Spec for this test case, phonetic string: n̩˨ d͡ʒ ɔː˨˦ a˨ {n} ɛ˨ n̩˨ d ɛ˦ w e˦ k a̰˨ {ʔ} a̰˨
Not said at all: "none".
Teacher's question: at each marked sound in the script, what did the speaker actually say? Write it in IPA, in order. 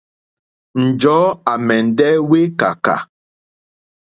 m, k

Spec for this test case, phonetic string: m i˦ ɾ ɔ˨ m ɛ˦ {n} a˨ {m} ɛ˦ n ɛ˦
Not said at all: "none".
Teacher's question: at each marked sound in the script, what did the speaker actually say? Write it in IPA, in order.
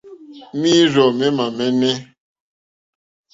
m, m

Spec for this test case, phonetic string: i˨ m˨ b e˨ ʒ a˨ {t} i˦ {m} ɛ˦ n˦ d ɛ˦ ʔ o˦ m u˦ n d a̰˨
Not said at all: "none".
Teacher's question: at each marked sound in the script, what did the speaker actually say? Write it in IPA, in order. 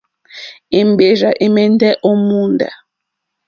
ʔ, m

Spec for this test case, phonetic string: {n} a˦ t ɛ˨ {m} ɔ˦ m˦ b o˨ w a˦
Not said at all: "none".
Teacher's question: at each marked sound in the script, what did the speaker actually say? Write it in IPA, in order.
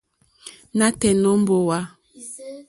n, n

